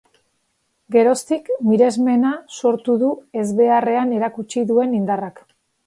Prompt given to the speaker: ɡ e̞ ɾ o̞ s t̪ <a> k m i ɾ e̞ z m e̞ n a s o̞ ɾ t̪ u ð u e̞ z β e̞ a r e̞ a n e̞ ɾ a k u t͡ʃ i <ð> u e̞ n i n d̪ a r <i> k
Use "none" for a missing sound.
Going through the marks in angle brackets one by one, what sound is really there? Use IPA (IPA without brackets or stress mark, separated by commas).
i, ð, a